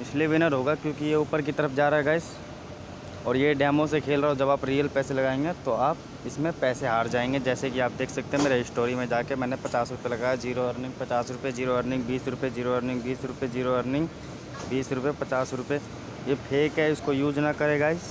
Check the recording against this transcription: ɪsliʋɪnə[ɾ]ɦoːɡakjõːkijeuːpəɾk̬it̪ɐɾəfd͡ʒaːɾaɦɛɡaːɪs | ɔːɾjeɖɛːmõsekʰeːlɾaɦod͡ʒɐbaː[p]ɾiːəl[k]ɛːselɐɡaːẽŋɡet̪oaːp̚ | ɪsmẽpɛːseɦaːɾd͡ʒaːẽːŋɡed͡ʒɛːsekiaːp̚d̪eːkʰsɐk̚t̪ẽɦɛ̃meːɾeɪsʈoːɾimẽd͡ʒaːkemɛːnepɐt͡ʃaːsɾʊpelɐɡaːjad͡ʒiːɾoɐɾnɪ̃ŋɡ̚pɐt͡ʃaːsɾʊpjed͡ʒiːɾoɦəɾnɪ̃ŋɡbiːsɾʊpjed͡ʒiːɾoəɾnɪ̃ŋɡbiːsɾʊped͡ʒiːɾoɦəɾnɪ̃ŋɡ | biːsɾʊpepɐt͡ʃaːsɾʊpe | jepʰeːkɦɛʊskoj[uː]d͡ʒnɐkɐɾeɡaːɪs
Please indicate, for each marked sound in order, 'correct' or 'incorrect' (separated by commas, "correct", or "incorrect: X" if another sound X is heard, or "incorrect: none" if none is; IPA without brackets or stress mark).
correct, correct, incorrect: p, correct